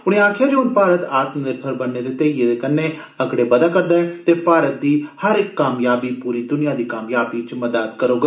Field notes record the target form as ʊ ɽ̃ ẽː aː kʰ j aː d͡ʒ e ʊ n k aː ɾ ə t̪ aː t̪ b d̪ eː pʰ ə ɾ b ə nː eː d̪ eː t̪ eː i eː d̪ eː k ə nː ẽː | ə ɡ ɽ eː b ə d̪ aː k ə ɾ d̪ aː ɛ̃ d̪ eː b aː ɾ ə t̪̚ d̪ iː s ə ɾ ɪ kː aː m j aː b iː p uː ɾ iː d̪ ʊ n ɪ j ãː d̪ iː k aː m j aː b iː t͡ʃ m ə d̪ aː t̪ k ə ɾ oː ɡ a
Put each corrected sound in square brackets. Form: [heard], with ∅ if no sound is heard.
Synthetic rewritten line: ʊ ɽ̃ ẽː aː kʰ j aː d͡ʒ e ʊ n [p] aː ɾ ə t̪ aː t̪ [m] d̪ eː pʰ ə ɾ b ə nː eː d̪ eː t̪ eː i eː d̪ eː k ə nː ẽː | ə ɡ ɽ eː b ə d̪ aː k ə ɾ d̪ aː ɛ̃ [t̪] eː [p] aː ɾ ə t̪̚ d̪ iː [h] ə ɾ ɪ kː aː m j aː b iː p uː ɾ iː d̪ ʊ n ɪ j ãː d̪ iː k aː m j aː b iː t͡ʃ m ə d̪ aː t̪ k ə ɾ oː ɡ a